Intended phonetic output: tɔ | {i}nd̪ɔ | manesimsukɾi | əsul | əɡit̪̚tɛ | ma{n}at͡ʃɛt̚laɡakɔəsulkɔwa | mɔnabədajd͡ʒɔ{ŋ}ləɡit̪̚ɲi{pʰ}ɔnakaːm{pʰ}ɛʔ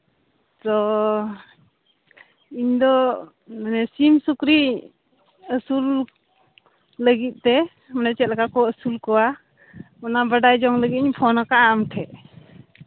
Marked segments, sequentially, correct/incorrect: correct, correct, correct, correct, incorrect: tʰ

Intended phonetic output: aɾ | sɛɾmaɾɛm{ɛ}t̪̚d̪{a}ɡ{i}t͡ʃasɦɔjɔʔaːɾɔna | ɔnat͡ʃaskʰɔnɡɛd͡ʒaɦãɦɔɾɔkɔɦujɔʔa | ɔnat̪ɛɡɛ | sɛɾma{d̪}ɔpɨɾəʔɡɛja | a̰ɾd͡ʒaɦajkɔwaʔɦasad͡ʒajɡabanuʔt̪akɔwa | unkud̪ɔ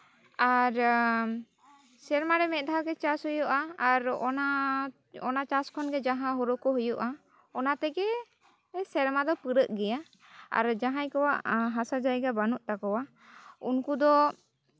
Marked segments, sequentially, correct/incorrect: correct, correct, incorrect: ɛ, correct

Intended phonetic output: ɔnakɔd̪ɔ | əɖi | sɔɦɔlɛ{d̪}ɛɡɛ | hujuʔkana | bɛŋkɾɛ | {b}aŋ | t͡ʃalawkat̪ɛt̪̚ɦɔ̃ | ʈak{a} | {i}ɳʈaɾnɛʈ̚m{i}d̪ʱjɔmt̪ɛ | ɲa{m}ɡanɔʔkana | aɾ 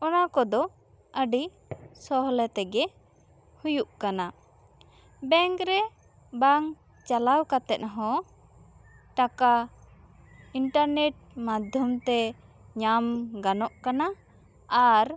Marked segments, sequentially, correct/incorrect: incorrect: t̪, correct, correct, correct, incorrect: a, correct

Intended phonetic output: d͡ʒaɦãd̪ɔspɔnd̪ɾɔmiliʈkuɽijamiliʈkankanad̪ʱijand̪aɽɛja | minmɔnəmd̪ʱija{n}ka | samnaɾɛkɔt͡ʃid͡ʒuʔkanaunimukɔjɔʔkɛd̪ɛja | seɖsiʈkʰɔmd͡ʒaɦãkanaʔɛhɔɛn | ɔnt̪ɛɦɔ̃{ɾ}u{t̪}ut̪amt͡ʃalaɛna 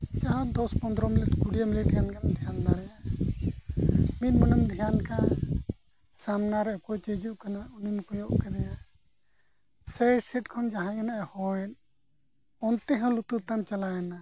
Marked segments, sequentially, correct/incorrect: correct, incorrect: l, correct

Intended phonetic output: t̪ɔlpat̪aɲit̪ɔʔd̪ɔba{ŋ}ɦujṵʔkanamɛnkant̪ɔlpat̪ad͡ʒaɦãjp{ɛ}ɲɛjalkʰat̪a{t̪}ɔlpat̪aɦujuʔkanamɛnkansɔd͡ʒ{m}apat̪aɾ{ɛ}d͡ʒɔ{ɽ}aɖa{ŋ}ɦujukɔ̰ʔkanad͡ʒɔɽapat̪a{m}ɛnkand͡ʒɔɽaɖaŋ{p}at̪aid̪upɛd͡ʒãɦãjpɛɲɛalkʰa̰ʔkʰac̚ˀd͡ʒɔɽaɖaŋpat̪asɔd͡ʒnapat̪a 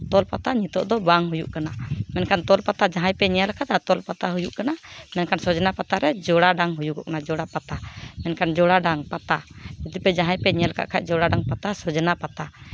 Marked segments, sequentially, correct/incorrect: correct, correct, correct, incorrect: n, correct, correct, correct, correct, correct

